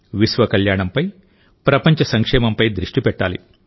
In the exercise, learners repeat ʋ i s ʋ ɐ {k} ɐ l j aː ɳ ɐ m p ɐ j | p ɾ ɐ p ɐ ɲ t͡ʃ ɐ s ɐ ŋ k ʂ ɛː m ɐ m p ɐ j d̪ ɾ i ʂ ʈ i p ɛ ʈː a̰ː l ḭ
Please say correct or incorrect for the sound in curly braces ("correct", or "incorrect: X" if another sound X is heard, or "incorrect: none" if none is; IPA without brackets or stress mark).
correct